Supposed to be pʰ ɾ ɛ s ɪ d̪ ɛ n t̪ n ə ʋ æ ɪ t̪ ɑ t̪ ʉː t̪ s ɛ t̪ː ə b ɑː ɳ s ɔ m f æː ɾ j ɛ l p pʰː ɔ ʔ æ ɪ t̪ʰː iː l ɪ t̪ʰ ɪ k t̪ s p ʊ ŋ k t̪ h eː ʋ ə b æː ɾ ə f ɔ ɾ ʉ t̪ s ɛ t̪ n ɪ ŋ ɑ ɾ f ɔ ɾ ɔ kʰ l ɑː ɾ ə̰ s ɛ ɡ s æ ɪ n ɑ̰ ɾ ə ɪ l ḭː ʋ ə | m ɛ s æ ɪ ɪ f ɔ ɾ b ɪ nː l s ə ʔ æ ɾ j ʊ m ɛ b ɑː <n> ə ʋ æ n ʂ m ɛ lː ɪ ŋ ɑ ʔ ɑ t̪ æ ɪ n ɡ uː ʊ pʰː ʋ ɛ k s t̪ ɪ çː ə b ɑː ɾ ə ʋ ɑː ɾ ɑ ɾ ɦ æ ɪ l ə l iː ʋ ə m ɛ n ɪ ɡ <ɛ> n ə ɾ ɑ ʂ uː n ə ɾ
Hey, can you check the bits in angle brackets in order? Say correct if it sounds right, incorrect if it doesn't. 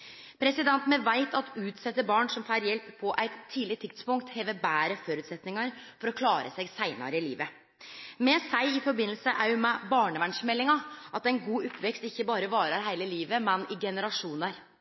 incorrect: ɳ, correct

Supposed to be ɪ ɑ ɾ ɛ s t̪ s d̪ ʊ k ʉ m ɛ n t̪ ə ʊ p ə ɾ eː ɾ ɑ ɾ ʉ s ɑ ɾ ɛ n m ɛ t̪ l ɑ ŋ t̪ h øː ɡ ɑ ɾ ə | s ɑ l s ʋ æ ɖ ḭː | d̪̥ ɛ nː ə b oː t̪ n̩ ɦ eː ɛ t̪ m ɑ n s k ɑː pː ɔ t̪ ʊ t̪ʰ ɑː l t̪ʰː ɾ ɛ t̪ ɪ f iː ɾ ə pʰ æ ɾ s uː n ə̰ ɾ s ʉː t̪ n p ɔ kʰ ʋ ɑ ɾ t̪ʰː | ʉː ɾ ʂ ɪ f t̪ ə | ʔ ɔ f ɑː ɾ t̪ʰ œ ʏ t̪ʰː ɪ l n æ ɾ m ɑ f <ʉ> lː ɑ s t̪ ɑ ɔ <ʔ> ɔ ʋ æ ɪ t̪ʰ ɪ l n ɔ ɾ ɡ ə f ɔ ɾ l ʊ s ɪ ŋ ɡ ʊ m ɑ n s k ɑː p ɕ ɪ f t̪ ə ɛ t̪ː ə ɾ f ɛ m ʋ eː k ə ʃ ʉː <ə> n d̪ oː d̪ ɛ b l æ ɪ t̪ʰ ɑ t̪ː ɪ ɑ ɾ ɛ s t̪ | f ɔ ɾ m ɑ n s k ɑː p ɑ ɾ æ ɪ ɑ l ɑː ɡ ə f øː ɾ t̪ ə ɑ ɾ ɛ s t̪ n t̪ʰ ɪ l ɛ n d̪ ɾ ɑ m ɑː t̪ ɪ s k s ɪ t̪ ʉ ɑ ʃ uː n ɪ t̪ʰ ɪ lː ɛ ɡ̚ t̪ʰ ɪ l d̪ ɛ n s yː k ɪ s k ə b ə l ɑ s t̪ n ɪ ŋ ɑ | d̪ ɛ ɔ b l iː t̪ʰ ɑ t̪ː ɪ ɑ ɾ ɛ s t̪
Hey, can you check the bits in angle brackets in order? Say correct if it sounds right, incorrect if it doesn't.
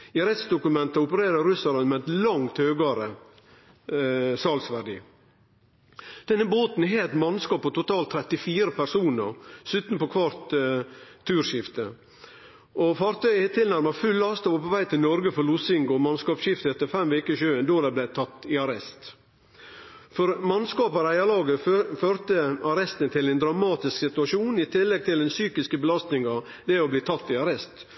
correct, incorrect: p, correct

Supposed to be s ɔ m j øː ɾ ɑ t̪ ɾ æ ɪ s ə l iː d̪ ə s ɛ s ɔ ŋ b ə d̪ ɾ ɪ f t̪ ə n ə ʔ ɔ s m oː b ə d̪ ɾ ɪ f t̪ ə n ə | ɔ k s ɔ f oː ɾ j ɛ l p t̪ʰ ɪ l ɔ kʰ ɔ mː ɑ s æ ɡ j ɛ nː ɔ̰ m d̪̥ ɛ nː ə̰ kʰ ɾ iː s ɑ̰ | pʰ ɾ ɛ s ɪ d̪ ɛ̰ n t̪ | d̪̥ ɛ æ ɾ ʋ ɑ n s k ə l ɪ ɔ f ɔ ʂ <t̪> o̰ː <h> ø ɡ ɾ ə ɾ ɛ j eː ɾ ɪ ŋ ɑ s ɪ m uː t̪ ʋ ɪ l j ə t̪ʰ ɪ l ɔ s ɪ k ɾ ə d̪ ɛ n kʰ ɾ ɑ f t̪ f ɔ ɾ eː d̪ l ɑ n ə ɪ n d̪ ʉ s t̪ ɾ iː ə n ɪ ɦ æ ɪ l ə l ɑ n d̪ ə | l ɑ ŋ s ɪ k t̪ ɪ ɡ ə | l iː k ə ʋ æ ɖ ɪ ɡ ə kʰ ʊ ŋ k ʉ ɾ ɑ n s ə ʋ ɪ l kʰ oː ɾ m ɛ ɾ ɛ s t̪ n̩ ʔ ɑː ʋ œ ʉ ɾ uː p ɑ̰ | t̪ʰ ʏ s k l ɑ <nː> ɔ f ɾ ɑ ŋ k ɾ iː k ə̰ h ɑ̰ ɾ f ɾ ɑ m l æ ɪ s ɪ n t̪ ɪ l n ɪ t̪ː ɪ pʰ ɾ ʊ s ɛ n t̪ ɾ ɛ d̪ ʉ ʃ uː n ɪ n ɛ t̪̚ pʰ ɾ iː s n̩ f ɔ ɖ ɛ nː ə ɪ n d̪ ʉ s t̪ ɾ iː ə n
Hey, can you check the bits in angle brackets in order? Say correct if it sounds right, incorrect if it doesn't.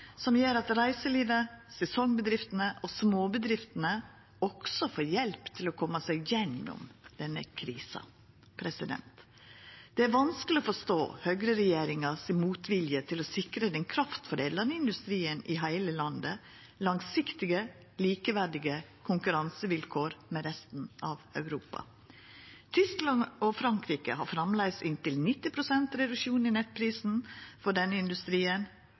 correct, correct, incorrect: n

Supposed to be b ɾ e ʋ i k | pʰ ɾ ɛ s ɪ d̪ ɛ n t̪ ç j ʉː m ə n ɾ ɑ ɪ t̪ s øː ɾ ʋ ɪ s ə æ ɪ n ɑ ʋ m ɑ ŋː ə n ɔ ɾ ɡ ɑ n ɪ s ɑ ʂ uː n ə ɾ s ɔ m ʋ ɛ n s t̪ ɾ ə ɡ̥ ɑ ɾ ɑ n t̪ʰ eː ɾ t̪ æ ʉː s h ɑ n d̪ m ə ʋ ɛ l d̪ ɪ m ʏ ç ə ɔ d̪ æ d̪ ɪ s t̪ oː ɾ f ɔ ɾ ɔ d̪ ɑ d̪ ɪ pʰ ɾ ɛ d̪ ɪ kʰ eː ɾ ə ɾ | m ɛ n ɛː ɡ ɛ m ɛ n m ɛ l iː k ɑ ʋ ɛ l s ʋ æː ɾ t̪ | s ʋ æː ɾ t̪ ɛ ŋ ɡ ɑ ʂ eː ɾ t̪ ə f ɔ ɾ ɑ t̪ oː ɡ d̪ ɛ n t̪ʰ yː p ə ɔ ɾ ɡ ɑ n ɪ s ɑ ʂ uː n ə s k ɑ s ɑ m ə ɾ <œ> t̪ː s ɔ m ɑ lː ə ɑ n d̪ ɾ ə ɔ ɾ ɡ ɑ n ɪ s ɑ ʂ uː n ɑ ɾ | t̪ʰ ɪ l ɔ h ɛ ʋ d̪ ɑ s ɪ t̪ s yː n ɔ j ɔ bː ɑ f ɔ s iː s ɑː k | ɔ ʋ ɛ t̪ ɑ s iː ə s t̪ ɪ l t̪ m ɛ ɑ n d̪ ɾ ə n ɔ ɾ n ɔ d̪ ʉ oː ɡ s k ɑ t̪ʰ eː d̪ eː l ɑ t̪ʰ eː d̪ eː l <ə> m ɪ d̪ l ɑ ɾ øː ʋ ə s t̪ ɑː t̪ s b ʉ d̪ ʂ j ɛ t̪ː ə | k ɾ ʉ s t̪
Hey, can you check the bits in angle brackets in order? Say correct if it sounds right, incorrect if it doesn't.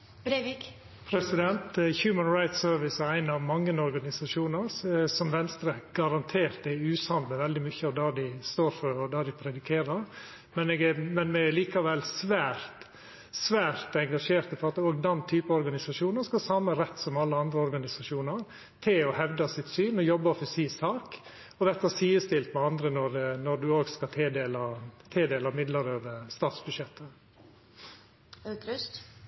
incorrect: ɛ, incorrect: ɑ

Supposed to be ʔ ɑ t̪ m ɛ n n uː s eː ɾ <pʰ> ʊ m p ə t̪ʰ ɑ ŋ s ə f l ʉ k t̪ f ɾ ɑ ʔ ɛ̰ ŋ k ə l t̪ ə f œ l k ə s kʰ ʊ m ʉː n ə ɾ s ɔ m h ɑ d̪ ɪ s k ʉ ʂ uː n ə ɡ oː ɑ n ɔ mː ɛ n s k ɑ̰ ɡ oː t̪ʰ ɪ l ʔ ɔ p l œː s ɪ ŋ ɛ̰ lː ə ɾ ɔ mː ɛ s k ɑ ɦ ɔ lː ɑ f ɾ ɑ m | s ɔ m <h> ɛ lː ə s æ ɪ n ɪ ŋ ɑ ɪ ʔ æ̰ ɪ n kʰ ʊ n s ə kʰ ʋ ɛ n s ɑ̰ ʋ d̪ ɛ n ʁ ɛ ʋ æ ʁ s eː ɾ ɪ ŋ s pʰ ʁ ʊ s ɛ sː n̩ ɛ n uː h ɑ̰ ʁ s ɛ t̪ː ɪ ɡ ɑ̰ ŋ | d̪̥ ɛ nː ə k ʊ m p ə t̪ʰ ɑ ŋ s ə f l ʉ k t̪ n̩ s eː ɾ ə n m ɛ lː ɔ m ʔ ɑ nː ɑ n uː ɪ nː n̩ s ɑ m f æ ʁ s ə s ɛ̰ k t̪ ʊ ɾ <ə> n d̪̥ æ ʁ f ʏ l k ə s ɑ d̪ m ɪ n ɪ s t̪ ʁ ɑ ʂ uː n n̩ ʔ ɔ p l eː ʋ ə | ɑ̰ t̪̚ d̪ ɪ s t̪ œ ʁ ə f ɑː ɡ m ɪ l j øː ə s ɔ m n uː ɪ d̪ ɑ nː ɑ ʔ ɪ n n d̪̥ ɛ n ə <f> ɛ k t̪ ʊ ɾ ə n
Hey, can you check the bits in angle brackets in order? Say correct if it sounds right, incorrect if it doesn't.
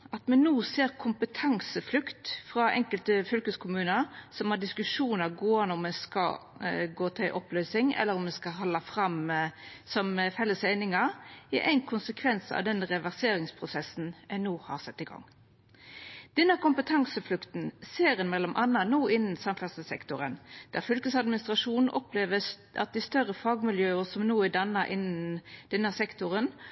incorrect: kʰ, incorrect: f, correct, incorrect: s

